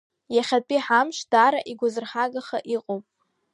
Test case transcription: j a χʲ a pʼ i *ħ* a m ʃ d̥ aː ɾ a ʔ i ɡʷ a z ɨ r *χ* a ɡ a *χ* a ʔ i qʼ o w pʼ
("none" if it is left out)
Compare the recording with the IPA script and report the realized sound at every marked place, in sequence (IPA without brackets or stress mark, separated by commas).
ħ, ħ, χ